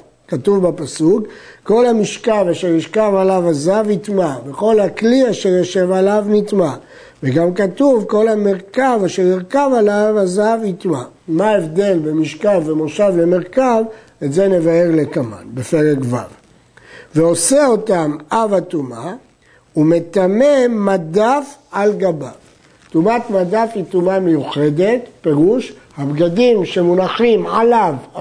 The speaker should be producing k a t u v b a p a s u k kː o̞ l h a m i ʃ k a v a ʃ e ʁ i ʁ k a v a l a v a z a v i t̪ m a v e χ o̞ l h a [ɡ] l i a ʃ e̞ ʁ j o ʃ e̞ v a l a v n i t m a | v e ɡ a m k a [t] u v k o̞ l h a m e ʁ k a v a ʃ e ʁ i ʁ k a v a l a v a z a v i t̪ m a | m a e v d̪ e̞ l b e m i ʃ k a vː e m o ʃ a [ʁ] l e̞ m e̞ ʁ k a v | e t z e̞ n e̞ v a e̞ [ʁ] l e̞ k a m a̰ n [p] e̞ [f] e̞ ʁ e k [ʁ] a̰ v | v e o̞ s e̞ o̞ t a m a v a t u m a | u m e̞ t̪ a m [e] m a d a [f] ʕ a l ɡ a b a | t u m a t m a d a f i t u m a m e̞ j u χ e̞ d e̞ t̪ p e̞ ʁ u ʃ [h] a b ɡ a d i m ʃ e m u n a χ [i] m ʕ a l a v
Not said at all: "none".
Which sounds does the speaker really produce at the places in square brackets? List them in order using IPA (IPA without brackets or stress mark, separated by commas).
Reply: k, t, v, ʁ, b, f, v, e, f, h, i